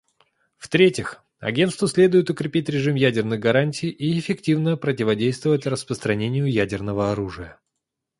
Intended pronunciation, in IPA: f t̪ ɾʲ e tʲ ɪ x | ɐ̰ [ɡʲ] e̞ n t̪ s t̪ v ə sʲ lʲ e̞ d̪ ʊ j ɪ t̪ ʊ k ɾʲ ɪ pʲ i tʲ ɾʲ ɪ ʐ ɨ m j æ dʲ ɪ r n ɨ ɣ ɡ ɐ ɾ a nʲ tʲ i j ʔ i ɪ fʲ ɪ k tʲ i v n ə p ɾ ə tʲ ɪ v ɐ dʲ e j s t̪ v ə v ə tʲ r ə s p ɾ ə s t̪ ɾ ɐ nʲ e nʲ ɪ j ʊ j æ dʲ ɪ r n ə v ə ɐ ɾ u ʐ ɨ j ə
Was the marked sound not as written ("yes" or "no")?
no